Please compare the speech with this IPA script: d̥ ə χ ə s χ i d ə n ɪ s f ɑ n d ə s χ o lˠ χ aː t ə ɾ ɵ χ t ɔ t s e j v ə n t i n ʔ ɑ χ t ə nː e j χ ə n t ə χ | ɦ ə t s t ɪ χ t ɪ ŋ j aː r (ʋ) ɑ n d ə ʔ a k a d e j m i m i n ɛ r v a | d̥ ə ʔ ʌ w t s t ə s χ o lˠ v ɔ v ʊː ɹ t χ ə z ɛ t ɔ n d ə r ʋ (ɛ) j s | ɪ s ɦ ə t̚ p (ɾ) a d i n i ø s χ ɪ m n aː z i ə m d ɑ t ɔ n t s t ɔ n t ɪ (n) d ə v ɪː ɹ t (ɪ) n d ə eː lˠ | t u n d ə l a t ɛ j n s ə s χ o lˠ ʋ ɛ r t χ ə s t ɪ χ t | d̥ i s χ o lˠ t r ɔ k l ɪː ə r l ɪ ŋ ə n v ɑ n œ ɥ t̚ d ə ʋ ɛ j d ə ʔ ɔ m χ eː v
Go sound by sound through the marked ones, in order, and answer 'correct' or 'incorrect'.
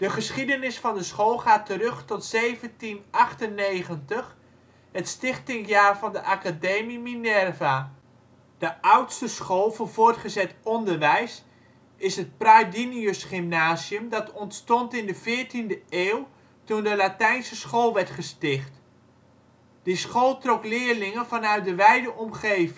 incorrect, correct, incorrect, correct, incorrect

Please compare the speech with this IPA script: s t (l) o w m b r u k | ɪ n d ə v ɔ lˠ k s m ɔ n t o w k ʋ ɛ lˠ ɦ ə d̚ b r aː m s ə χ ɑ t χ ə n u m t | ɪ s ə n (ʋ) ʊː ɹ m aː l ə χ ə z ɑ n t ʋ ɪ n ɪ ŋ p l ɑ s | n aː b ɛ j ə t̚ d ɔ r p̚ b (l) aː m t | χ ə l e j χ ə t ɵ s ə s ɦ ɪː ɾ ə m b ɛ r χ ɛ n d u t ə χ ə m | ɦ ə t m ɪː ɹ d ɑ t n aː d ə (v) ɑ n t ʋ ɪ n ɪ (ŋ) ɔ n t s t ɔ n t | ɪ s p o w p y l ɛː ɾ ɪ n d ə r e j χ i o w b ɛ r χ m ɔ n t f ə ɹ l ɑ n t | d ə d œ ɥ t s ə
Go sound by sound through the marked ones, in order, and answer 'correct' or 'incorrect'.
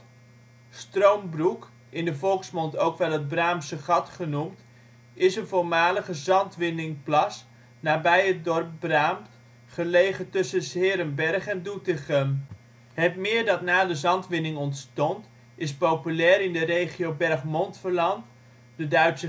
incorrect, incorrect, incorrect, incorrect, correct

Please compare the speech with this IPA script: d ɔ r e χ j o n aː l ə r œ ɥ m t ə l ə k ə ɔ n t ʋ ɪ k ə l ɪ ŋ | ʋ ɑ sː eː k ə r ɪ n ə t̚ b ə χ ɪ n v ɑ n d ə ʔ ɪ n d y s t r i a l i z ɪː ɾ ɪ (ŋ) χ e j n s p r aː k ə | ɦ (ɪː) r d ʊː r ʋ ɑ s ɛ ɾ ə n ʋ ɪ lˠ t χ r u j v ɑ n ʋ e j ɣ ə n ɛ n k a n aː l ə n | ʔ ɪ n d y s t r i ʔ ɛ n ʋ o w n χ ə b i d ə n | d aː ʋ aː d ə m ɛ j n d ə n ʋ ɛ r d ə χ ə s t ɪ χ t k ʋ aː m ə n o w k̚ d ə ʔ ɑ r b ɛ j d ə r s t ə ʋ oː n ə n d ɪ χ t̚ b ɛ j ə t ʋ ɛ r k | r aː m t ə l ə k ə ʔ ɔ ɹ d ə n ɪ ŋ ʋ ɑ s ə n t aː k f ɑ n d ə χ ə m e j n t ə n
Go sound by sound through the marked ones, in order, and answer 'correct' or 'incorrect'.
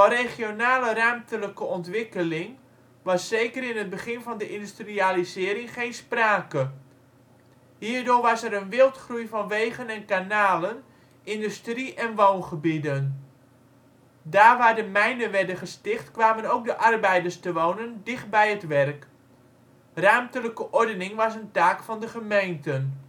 correct, incorrect

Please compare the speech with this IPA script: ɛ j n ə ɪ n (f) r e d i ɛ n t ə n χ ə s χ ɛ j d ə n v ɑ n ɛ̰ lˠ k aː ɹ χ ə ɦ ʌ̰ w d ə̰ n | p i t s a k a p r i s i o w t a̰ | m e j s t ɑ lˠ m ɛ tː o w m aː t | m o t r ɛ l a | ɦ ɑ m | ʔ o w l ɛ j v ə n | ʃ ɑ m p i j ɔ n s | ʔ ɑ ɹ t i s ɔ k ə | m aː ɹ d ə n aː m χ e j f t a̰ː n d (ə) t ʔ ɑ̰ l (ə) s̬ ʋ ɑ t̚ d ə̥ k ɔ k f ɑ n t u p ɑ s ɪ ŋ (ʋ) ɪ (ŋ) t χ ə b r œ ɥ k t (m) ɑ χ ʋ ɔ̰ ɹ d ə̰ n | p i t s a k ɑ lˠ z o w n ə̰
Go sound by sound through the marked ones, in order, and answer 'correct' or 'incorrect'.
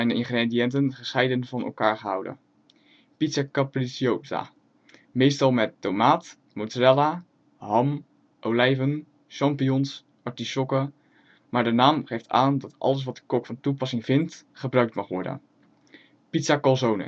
incorrect, incorrect, correct, incorrect, incorrect, correct

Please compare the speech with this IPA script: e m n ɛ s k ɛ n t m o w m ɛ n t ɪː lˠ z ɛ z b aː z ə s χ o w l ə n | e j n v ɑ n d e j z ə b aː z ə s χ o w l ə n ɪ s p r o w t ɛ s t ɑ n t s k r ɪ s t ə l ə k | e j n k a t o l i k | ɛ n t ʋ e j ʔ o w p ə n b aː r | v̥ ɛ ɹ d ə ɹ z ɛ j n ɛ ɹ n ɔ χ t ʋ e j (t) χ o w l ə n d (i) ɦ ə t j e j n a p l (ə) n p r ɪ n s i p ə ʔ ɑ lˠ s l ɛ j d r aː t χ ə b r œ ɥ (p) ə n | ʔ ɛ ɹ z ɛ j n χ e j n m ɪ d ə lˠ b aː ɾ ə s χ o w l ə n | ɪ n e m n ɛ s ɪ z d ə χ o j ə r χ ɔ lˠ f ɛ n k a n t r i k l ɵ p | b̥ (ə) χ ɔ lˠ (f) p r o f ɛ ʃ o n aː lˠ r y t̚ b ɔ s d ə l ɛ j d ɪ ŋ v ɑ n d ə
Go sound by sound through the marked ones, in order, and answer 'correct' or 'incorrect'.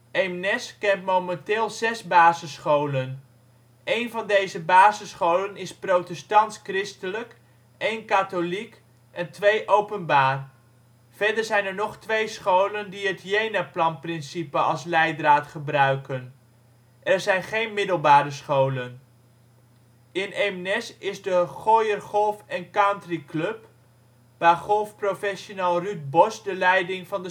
incorrect, correct, incorrect, incorrect, incorrect, correct

